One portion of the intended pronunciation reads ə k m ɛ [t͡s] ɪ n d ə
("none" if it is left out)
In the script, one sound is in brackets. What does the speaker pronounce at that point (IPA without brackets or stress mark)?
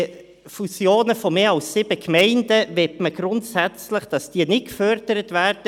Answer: none